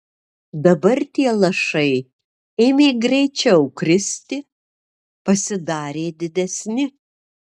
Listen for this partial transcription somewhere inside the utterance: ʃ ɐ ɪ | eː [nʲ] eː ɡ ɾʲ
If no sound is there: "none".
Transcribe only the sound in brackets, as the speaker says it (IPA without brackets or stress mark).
mʲ